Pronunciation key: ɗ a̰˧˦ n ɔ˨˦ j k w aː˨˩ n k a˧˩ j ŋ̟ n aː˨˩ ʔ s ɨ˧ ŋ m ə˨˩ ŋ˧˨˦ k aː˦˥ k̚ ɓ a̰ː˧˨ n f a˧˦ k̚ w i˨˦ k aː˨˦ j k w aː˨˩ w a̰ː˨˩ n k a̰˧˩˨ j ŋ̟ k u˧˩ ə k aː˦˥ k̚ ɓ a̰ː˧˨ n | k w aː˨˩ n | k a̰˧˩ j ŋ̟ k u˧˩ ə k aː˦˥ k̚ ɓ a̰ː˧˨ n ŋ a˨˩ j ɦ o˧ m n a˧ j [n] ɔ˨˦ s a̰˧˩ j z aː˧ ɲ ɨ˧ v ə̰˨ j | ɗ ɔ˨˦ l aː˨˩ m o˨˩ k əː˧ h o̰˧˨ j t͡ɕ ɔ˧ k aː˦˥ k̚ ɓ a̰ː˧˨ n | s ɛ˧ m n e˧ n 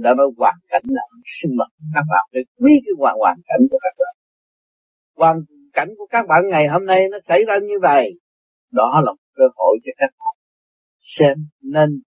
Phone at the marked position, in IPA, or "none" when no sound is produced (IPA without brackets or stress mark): n